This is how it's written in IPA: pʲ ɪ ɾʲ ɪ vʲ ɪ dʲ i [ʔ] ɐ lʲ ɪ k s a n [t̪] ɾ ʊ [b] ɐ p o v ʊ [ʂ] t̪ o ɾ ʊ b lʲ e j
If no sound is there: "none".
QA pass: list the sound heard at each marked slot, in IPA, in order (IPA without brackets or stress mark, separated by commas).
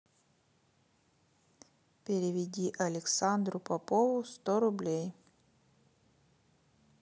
ʔ, d̪, p, s